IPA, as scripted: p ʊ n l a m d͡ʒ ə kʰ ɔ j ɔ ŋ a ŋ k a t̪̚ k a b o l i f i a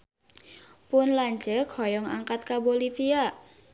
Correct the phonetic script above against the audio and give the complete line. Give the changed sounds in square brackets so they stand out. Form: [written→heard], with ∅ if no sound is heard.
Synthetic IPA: p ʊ n l a [m→ɲ] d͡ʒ ə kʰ ɔ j ɔ ŋ a ŋ k a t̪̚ k a b o l i f i a